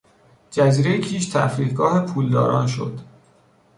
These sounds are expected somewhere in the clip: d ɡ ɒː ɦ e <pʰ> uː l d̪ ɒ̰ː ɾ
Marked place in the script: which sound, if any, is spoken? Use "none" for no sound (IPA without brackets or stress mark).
pʰ